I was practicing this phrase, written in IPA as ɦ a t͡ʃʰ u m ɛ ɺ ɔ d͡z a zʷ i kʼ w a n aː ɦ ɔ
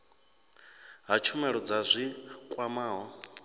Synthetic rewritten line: ɦ a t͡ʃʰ u m ɛ ɺ ɔ d͡z a zʷ i kʼ w a m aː ɦ ɔ